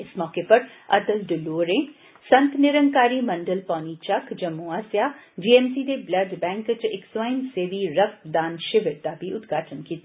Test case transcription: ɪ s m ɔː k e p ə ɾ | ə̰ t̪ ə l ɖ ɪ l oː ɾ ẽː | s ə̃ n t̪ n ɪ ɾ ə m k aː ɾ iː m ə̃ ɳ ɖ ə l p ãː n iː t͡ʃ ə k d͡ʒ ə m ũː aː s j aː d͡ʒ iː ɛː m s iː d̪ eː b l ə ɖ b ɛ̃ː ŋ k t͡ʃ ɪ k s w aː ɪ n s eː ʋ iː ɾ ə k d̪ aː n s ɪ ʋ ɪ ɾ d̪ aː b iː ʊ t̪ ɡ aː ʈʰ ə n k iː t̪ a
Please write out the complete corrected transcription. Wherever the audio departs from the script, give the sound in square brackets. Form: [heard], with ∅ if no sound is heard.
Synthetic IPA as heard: ɪ s m ɔː k e p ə ɾ | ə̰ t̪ ə l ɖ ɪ l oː ɾ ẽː | s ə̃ n t̪ n ɪ ɾ ə [ŋ] k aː ɾ iː m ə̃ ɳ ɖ ə l p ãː n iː t͡ʃ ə k d͡ʒ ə m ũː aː s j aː d͡ʒ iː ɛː m s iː d̪ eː b l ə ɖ b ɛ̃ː ŋ k t͡ʃ ɪ k s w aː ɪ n s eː ʋ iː ɾ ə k d̪ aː n [ʃ] ɪ ʋ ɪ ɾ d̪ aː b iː ʊ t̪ ɡ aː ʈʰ ə n k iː t̪ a